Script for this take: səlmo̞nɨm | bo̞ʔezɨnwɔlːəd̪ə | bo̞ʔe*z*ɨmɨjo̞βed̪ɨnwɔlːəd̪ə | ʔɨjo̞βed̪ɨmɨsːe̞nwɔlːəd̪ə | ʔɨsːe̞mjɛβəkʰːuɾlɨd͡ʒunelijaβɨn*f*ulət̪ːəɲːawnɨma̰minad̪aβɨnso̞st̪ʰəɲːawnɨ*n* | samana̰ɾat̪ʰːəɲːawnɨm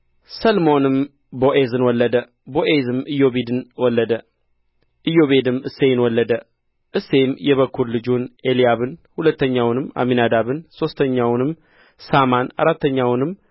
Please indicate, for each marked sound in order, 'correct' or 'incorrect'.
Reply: correct, incorrect, incorrect

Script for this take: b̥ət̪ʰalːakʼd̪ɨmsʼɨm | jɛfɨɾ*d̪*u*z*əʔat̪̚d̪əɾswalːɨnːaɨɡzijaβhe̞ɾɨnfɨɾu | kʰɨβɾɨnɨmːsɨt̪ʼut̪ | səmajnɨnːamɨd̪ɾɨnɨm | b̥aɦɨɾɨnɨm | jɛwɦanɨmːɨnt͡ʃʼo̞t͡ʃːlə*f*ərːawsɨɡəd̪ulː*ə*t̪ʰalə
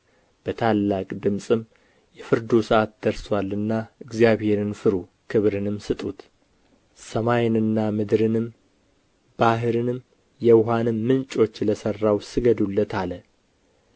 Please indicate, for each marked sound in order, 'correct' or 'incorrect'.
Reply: correct, incorrect, incorrect, correct

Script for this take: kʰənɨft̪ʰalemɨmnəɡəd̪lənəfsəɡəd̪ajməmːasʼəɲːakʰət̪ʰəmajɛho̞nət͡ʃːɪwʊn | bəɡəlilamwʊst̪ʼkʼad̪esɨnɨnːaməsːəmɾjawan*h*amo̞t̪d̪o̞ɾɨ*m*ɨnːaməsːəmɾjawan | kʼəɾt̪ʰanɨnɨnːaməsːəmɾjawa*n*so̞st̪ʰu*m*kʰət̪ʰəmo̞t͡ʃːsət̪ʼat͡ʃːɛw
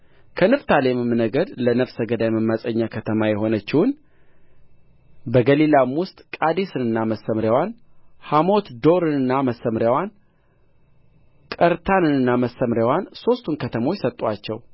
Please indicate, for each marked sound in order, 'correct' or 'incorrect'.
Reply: correct, incorrect, correct, incorrect

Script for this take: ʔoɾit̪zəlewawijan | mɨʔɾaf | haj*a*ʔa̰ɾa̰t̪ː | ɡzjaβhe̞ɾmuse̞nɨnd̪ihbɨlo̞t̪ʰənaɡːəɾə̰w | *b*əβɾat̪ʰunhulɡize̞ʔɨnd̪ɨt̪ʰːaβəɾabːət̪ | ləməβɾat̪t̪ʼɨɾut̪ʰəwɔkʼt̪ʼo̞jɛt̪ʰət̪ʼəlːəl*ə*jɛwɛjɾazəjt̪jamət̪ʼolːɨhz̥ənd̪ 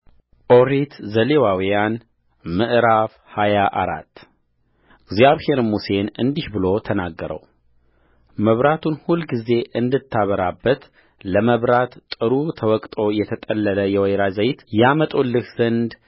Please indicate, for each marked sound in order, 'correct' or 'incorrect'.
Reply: correct, incorrect, correct

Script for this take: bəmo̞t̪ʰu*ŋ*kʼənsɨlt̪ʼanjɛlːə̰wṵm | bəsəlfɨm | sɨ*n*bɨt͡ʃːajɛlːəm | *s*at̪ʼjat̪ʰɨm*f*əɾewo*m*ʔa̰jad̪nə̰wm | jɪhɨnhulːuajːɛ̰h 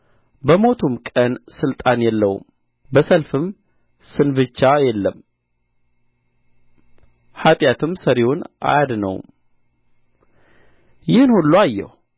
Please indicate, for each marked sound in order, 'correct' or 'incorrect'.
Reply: incorrect, correct, incorrect, incorrect, incorrect

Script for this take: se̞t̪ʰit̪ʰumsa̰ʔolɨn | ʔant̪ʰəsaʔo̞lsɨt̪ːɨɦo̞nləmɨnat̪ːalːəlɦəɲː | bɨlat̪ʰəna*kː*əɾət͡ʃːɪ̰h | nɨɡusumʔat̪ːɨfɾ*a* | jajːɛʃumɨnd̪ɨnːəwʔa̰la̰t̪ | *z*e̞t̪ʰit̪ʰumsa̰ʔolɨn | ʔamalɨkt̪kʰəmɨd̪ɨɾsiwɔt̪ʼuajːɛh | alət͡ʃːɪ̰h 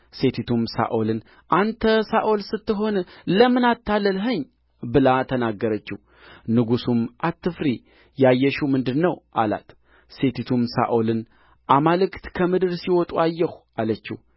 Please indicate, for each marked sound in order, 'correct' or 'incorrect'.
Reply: incorrect, incorrect, incorrect

